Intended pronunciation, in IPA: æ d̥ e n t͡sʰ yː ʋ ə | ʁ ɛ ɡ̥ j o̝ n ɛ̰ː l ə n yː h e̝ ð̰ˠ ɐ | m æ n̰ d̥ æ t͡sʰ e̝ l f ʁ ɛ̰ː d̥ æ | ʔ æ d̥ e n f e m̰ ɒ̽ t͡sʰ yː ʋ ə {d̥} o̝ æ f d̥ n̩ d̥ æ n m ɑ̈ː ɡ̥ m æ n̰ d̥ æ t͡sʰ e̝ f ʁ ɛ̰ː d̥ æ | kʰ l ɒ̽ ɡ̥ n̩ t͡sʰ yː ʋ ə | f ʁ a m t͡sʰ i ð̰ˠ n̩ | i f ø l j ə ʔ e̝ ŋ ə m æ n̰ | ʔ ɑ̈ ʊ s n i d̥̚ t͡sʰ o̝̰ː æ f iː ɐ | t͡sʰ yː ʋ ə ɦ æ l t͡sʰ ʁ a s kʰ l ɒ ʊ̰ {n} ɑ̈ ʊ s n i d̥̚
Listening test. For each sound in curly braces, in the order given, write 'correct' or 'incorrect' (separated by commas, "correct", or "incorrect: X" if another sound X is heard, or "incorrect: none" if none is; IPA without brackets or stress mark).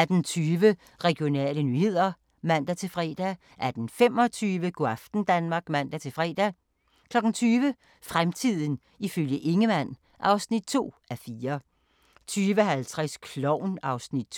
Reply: incorrect: ɡ̥, correct